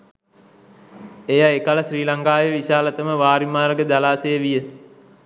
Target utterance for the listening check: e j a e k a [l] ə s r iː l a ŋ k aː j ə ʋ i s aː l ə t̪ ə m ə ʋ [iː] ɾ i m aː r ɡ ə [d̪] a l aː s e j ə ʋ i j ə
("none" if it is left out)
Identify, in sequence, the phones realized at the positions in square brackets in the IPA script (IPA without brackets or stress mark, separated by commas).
l, aː, d̪